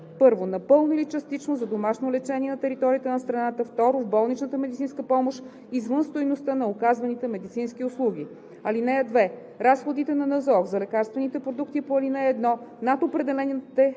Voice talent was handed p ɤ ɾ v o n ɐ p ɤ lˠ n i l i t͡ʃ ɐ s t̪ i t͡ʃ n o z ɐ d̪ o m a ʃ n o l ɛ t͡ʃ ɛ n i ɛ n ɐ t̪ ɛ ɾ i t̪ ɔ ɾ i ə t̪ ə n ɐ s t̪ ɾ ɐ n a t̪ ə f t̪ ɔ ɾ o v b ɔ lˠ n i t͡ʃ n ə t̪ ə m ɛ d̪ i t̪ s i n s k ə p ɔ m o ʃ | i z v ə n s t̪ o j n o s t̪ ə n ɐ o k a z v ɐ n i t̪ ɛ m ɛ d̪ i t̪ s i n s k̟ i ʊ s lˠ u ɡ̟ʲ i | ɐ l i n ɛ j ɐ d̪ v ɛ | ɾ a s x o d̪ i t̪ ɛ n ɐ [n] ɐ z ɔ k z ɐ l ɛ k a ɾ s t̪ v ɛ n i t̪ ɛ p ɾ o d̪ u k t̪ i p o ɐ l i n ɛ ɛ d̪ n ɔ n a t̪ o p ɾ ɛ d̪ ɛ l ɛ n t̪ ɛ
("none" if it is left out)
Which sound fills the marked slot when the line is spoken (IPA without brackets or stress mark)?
n